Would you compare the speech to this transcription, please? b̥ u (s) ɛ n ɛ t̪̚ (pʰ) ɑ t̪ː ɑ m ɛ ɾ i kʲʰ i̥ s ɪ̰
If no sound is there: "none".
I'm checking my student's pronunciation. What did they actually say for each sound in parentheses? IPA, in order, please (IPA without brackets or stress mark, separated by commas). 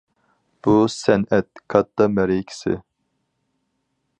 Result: s, kʰ